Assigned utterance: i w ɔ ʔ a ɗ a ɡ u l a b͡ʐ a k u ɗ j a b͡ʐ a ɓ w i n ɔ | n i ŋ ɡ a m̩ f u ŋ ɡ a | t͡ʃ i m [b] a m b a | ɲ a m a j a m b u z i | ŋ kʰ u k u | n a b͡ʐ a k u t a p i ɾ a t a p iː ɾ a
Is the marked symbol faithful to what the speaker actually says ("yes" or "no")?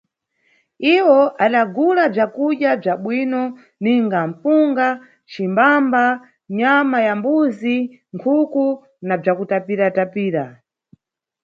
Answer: yes